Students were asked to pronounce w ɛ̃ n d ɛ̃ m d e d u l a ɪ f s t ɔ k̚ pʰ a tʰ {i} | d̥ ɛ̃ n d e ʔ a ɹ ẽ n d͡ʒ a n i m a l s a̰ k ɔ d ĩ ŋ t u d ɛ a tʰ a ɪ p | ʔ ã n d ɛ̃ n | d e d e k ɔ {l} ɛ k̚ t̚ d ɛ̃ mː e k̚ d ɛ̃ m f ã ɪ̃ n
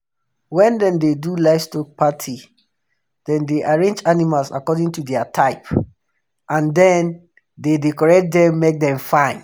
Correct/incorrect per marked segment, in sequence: correct, incorrect

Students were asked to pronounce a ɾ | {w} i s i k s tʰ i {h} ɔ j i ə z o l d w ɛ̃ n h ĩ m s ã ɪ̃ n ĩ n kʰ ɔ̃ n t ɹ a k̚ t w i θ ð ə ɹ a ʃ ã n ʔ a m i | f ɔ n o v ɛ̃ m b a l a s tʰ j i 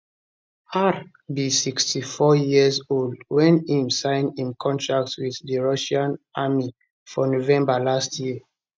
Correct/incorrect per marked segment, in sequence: incorrect, incorrect

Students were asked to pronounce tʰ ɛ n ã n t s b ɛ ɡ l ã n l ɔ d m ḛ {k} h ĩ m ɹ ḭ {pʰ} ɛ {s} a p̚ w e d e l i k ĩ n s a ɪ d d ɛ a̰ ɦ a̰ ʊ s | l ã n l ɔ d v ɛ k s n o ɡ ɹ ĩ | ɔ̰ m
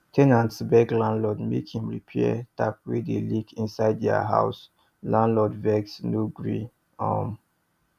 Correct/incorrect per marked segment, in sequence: correct, correct, incorrect

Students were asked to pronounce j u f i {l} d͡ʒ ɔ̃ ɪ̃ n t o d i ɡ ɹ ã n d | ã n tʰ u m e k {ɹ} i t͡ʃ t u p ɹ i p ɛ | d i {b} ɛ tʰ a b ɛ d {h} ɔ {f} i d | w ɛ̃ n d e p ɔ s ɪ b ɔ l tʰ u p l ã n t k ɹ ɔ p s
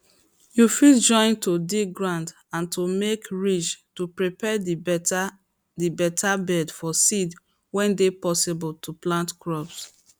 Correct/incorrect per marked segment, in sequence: correct, correct, correct, incorrect, incorrect

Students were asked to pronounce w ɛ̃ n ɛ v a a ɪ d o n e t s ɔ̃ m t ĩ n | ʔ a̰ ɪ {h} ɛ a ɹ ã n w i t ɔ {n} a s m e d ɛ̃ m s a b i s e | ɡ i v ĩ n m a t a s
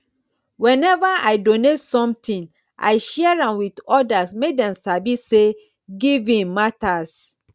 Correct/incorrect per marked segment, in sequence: incorrect, incorrect

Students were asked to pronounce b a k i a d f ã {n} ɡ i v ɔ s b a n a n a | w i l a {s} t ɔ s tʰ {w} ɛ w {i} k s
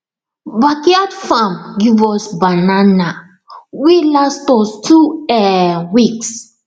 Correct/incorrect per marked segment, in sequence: incorrect, correct, incorrect, correct

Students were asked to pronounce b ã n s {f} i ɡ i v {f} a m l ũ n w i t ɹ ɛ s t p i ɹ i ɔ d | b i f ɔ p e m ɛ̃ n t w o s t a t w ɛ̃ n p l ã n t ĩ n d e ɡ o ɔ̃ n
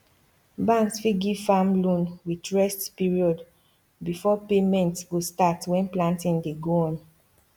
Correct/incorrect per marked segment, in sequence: correct, correct

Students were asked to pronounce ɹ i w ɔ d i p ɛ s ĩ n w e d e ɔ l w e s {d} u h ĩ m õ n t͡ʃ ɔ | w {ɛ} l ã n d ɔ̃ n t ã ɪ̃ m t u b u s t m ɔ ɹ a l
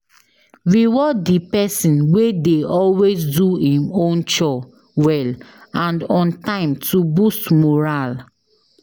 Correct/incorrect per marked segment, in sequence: correct, correct

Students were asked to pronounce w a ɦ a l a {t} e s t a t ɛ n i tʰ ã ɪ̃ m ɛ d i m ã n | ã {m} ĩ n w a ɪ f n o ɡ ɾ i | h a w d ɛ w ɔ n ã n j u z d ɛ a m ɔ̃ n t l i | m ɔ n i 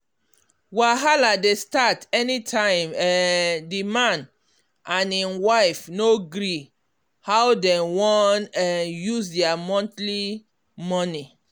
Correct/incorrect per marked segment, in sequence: incorrect, incorrect

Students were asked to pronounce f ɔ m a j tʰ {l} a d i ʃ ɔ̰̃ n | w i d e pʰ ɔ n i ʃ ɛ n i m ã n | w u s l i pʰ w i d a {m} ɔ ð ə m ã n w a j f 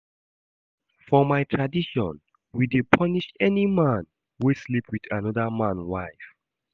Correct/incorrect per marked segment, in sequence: incorrect, incorrect

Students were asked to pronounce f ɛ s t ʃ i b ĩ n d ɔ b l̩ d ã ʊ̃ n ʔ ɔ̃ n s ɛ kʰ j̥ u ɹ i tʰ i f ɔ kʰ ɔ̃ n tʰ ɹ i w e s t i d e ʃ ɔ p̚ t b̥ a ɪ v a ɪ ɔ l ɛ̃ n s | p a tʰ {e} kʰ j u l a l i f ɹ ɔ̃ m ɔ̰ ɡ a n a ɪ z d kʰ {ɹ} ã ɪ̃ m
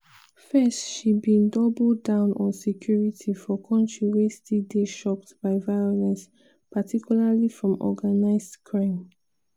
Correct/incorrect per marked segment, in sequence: incorrect, correct

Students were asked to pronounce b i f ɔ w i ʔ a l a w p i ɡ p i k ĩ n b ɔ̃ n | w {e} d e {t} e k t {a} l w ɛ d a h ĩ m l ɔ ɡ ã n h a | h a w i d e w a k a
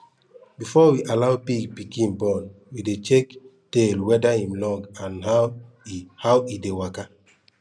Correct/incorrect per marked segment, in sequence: incorrect, incorrect, incorrect

